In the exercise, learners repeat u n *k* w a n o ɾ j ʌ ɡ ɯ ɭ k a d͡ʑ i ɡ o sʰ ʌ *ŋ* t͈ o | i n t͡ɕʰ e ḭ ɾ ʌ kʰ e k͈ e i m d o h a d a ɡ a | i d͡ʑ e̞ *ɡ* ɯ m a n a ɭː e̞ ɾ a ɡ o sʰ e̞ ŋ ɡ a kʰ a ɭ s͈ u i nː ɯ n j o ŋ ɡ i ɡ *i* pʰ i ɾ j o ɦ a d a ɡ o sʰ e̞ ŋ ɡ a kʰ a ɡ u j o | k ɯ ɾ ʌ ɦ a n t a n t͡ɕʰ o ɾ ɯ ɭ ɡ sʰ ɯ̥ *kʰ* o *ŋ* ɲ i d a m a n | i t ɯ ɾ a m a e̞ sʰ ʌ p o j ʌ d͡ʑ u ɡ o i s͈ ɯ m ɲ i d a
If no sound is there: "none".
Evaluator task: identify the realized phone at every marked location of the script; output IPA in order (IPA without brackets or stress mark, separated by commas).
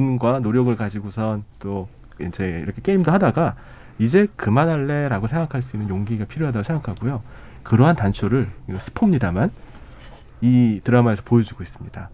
ɡ, n, k, a, pʰ, m